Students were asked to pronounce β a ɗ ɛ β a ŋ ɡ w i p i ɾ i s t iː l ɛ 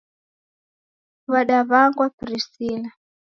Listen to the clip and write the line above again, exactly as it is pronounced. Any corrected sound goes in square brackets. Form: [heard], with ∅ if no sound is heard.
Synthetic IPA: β a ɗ [a] β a ŋ ɡ w [a] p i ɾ i s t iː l [a]

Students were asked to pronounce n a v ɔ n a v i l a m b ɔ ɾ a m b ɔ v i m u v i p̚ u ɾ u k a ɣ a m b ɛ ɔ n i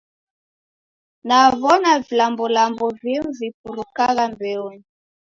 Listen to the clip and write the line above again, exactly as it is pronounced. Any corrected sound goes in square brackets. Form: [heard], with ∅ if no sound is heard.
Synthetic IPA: n a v ɔ n a v i l a m b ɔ [l] a m b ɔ v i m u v i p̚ u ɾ u k a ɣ a m b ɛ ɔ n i

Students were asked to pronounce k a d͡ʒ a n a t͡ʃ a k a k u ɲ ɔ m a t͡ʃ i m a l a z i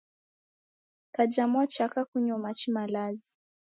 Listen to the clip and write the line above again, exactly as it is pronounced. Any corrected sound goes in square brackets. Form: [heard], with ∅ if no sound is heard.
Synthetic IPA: k a d͡ʒ a [m] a t͡ʃ a k a k u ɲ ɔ m a t͡ʃ i m a l a z i

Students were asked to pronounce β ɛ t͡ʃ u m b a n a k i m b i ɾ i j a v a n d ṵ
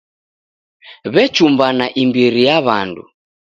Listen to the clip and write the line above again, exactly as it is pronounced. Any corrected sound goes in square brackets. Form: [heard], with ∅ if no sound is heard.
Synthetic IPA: β ɛ t͡ʃ u m b a n a [ʔ] i m b i ɾ i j a [β] a n d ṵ

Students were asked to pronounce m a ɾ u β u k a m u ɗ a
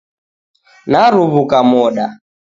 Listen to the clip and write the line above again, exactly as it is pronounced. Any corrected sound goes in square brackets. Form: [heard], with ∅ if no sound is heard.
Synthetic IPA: [n] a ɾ u β u k a m [ɔ] ɗ a

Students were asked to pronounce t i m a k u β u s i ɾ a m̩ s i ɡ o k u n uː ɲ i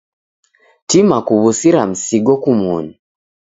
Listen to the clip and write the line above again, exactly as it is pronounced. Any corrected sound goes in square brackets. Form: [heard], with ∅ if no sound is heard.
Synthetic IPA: t i m a k u β u s i ɾ a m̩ s i ɡ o k u [m] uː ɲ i

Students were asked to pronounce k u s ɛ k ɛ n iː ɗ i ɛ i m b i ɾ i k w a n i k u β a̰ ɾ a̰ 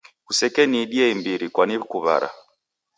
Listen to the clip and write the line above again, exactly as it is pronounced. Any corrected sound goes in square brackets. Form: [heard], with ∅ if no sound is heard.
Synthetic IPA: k u s ɛ k ɛ n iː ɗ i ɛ i m b i ɾ i k w a n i k u β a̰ ɾ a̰

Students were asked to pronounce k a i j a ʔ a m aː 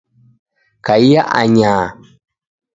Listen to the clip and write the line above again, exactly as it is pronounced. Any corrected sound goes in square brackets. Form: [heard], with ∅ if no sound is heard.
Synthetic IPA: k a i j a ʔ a [ɲ] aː

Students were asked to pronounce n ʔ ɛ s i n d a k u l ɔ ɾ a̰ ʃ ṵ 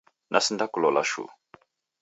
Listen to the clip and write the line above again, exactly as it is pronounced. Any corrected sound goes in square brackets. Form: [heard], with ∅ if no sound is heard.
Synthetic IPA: n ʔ [a] s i n d a k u l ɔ [l] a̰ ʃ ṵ

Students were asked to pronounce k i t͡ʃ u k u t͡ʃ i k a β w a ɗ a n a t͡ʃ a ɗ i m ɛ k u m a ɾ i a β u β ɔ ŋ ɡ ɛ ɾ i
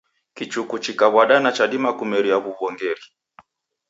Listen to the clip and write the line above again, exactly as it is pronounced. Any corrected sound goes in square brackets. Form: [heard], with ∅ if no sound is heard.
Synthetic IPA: k i t͡ʃ u k u t͡ʃ i k a β w a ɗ a n a t͡ʃ a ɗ i m [a] k u m [ɛ] ɾ i a β u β ɔ ŋ ɡ ɛ ɾ i

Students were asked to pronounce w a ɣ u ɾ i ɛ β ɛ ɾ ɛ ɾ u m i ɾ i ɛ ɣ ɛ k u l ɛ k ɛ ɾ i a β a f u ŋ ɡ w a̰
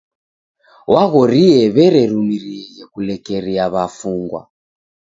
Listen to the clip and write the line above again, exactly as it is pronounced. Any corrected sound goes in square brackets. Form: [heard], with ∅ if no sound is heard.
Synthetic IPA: w a ɣ [ɔ] ɾ i ɛ β ɛ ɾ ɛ ɾ u m i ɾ i ɛ ɣ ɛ k u l ɛ k ɛ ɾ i a β a f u ŋ ɡ w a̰

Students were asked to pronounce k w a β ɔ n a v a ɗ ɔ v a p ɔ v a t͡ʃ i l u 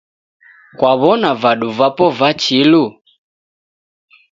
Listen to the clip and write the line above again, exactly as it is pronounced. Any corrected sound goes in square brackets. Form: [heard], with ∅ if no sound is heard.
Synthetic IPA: k w a β ɔ n a v a ɗ [u] v a p ɔ v a t͡ʃ i l u

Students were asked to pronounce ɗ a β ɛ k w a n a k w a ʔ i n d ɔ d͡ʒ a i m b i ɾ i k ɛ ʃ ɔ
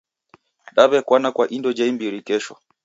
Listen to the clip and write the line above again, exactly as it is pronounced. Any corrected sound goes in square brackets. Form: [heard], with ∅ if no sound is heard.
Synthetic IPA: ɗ a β ɛ k w a n a k w a ʔ i n d ɔ d͡ʒ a i m b i ɾ i k ɛ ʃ ɔ

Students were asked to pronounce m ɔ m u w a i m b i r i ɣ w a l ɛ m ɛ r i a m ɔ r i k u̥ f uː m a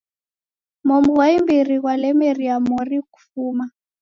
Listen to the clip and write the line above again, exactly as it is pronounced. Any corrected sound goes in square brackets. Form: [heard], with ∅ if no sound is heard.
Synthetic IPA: m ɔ m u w a i m b i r i ɣ w a l ɛ m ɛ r i a m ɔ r i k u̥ f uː m a

